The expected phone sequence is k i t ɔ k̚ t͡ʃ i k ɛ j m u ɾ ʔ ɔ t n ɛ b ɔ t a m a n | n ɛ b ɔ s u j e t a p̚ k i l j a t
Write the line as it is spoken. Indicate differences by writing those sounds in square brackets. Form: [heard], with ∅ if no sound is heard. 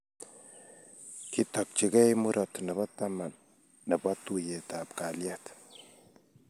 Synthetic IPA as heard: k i t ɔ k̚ t͡ʃ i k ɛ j m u ɾ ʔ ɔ t n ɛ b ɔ t a m a n | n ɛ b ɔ [t] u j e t a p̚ k [a] l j a t